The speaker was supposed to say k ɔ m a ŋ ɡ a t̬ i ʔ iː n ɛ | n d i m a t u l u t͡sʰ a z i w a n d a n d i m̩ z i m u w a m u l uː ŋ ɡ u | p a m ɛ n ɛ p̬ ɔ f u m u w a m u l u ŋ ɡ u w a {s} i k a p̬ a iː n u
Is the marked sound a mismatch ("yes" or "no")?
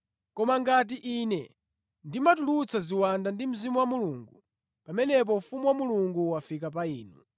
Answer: yes